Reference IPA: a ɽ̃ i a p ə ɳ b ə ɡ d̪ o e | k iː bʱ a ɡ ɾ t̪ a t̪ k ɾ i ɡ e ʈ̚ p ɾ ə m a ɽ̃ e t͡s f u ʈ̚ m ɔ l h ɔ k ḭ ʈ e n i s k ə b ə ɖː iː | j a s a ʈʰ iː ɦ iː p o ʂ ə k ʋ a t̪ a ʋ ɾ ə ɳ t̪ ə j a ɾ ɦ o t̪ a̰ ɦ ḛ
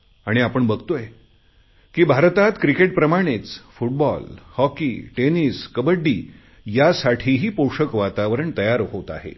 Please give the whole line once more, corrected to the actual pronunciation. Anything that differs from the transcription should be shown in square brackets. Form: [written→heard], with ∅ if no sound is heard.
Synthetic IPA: a ɽ̃ i a p ə ɳ b ə ɡ [d̪→t̪] o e | k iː bʱ a [ɡ→∅] ɾ t̪ a t̪ k ɾ i [ɡ→k] e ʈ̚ p ɾ ə m a ɽ̃ e t͡s f u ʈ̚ [m→b] ɔ l h ɔ k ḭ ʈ e n i s k ə b ə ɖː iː | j a s a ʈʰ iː ɦ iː p o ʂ ə k ʋ a t̪ a ʋ ɾ ə ɳ t̪ ə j a ɾ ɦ o t̪ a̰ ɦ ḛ